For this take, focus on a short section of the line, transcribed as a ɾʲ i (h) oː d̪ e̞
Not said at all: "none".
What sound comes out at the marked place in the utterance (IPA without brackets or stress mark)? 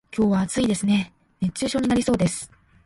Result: s